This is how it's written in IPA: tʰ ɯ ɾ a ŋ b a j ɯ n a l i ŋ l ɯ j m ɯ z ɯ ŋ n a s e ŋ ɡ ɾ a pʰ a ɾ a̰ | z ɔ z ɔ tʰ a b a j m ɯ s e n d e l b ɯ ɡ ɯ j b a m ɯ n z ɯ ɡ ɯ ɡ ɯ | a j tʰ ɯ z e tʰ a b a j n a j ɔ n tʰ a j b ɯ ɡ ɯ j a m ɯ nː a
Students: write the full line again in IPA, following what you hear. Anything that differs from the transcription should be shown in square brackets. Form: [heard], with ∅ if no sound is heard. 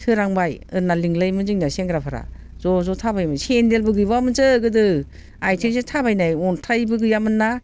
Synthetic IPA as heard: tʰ ɯ ɾ a ŋ b a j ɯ n a l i ŋ l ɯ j m ɯ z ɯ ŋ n a s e ŋ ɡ ɾ a pʰ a ɾ a̰ | z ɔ z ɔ tʰ a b a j m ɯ s e n d e l b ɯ ɡ ɯ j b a m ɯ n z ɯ ɡ ɯ [d] ɯ | a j tʰ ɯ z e tʰ a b a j n a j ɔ n tʰ a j b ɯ ɡ ɯ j a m ɯ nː a